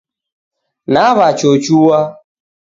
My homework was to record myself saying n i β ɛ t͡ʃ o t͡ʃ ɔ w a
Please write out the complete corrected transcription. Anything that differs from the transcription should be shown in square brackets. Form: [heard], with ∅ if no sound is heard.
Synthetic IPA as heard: n [a] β [a] t͡ʃ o t͡ʃ [u] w a